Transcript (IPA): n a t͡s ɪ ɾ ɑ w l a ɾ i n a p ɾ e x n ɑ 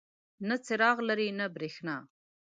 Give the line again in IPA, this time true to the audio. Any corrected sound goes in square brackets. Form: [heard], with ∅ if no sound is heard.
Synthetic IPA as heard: n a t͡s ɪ ɾ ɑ [ɣ] l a ɾ i n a [b] ɾ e x n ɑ